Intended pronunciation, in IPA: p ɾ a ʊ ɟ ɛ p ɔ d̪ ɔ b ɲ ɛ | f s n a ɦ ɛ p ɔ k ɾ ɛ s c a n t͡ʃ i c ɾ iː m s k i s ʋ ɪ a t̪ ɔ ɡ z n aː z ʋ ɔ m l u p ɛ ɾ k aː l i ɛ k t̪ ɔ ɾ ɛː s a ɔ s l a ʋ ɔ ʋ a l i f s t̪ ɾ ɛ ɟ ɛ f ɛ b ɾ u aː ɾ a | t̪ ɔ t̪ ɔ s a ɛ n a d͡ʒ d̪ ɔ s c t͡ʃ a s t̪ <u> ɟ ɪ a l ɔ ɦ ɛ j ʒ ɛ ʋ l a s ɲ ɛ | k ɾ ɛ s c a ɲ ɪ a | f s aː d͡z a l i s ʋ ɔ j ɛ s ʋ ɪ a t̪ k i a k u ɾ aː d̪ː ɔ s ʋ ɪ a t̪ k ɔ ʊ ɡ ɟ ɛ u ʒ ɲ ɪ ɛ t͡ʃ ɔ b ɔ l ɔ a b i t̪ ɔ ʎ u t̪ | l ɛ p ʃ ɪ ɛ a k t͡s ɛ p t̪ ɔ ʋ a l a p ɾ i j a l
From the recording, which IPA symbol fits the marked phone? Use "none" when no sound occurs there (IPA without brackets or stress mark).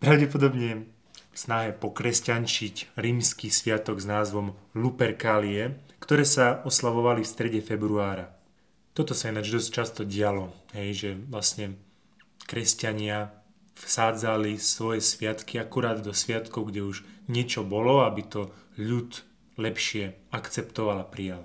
ɔ